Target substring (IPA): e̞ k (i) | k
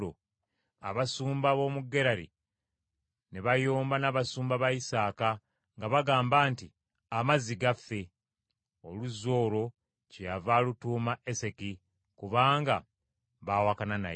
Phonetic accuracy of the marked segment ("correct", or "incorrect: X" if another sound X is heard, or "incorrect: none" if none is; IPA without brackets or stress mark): correct